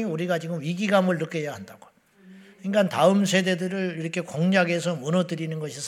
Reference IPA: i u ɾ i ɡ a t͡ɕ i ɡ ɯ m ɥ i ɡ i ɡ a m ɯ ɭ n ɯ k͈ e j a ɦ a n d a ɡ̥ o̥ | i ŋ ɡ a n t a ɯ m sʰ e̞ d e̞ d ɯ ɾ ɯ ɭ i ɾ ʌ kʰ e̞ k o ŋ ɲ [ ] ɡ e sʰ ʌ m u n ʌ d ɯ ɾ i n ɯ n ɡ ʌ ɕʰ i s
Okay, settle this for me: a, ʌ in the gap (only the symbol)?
a